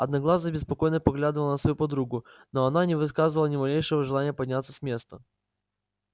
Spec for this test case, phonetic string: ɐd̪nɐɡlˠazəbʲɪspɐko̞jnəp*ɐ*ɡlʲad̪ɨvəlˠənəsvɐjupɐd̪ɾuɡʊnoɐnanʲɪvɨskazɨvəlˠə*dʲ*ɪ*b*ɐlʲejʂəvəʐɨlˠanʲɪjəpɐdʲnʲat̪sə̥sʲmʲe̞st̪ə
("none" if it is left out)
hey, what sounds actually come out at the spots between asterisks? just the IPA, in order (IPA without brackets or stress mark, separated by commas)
ɐ, nʲ, m